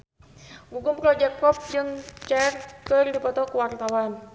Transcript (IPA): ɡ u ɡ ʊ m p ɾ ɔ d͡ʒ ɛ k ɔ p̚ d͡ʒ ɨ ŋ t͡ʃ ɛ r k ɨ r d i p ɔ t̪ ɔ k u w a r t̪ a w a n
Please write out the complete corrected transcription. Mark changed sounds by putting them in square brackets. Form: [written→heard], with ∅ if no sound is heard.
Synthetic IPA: ɡ u ɡ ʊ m p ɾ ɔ d͡ʒ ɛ k ɔ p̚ d͡ʒ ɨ ŋ t͡ʃ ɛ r k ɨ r d i p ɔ t̪ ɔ k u w a r t̪ a w a n